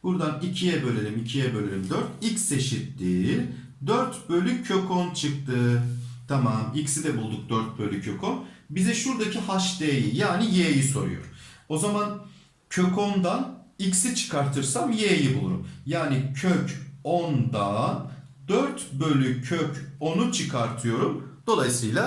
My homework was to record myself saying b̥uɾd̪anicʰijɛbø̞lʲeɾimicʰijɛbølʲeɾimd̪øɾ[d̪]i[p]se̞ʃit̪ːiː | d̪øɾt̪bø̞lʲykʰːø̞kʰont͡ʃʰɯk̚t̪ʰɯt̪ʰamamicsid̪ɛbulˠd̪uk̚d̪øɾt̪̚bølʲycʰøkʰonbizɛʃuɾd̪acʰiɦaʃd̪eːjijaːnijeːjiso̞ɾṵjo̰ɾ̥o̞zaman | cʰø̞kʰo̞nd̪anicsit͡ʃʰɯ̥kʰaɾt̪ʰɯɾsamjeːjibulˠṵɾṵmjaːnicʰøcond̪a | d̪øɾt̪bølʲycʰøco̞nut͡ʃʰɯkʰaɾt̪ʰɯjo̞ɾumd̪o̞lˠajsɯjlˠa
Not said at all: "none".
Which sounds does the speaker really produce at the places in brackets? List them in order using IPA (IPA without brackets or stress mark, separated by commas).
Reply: t̪, c